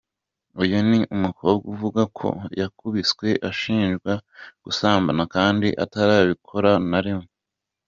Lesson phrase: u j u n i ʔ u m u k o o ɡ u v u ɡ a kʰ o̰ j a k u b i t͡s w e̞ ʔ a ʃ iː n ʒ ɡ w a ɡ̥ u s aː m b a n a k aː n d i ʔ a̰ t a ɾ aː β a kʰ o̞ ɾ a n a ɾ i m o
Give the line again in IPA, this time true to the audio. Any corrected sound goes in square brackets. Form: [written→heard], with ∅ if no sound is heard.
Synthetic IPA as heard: u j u n i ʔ u m u k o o ɡ u v u ɡ a kʰ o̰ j a k u [b→β] i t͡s w e̞ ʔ a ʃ iː n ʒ ɡ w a ɡ̥ u s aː m b a n a k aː n d i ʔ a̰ t a ɾ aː β [a→i] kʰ o̞ ɾ a n a ɾ i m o